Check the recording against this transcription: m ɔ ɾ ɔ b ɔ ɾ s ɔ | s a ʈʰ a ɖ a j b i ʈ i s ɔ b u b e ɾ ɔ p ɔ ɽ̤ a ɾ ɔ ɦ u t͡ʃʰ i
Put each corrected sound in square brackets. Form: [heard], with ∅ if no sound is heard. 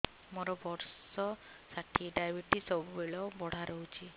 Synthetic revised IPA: m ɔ ɾ ɔ b ɔ ɾ s ɔ | s a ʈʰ [i] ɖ a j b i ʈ i s ɔ b u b e [ɭ] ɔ [b] ɔ ɽ̤ a ɾ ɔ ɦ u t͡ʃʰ i

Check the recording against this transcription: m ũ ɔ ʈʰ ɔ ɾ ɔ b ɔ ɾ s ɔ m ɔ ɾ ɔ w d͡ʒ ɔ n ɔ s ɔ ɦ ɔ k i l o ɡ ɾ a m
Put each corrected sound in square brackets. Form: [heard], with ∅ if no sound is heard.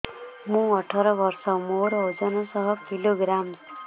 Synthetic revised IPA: m ũ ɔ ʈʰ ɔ ɾ ɔ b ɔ ɾ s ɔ m [o] ɾ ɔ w d͡ʒ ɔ n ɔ s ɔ ɦ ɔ k i l o ɡ ɾ a m

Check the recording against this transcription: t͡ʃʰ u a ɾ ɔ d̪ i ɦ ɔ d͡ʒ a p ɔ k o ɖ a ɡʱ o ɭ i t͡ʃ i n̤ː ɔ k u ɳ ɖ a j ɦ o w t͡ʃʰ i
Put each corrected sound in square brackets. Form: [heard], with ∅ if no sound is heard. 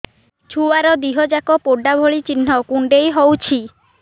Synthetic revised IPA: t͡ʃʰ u a ɾ ɔ d̪ i ɦ ɔ d͡ʒ a [k] ɔ [p] o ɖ a [bʱ] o ɭ i t͡ʃ i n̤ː ɔ k u ɳ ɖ [e] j ɦ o w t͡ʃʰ i

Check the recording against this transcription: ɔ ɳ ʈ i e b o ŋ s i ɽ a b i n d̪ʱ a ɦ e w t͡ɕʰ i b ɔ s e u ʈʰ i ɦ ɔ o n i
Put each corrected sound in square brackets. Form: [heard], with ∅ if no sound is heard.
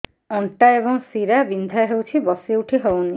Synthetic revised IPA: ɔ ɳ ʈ [a] e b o ŋ s i [ɾ] a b i n d̪ʱ a ɦ e w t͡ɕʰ i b ɔ s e u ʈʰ i ɦ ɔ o n i

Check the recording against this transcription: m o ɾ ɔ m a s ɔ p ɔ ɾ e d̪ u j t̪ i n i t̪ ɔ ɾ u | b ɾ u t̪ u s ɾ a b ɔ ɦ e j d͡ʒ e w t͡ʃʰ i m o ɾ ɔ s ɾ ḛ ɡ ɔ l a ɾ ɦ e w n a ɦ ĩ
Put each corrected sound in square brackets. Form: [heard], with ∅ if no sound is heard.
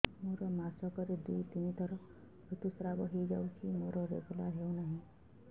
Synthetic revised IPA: m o ɾ ɔ m a s ɔ [k] ɔ ɾ e d̪ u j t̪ i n i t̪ ɔ ɾ [ɔ] | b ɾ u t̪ u s ɾ a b ɔ ɦ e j d͡ʒ [a] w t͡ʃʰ i m o ɾ ɔ [∅] ɾ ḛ ɡ [u] l a ɾ ɦ e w n a ɦ ĩ

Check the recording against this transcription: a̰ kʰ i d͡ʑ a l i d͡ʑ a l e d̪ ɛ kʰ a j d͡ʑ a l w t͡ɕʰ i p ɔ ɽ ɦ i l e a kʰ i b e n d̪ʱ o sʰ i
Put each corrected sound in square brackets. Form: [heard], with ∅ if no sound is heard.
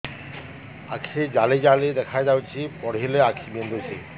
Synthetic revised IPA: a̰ kʰ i d͡ʑ a l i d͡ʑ a l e d̪ ɛ kʰ a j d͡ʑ a [∅] w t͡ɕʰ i p ɔ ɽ ɦ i l e a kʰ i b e n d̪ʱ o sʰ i

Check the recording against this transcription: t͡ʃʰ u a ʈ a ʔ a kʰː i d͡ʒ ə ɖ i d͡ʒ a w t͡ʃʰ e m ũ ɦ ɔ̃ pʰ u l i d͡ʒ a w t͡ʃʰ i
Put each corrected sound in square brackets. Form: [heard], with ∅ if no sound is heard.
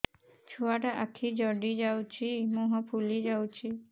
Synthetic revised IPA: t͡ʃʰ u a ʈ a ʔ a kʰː i d͡ʒ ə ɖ i d͡ʒ a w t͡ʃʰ [i] m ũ ɦ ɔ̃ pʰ u l i d͡ʒ a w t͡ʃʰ i

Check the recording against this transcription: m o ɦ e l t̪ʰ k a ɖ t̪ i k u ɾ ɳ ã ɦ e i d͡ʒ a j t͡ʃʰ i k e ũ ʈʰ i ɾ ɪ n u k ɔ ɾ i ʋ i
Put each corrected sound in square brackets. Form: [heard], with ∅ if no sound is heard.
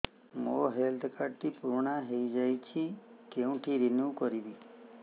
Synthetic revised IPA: m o ɦ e l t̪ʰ k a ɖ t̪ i [p] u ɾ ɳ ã ɦ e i d͡ʒ a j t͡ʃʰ i k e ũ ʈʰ i ɾ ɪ n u k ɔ ɾ i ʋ i

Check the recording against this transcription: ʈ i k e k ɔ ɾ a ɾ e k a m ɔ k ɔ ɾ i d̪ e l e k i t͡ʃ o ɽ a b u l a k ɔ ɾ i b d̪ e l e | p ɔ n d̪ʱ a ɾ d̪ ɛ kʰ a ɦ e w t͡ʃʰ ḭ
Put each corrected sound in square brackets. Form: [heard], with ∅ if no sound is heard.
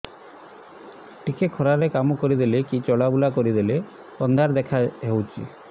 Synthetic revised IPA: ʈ i k e [kʰ] ɔ ɾ a ɾ e k a m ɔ k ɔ ɾ i d̪ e l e k i t͡ʃ [ɔ] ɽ a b u l a k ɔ ɾ i [∅] d̪ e l e | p ɔ n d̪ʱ a ɾ d̪ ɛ kʰ a ɦ e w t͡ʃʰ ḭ

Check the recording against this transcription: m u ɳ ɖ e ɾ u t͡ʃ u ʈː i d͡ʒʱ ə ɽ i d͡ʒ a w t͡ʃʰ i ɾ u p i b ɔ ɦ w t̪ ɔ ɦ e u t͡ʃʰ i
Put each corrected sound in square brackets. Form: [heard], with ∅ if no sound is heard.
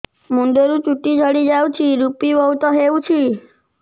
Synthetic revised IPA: m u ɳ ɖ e ɾ u t͡ʃ u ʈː i d͡ʒʱ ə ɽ i d͡ʒ a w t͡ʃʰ i ɾ u p i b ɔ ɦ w t̪ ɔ ɦ e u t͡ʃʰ i

